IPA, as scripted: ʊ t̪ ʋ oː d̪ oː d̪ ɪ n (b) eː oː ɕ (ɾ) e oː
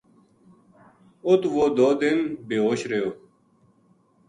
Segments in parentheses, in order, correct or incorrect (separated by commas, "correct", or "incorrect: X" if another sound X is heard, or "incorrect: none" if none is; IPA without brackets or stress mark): correct, correct